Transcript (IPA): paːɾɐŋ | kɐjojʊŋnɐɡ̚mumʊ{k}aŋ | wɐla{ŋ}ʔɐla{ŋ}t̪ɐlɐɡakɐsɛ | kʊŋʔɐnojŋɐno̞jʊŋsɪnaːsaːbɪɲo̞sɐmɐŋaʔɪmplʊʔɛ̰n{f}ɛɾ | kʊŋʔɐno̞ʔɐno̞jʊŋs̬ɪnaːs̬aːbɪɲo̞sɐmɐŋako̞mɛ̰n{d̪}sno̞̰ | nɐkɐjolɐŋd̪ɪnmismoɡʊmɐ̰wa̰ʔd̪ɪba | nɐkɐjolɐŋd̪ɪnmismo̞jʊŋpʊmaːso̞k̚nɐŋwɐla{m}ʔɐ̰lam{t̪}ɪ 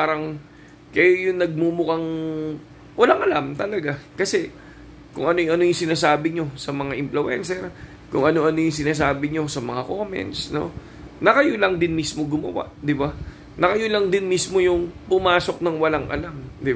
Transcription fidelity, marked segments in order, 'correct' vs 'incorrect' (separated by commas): correct, correct, incorrect, incorrect, incorrect, incorrect, incorrect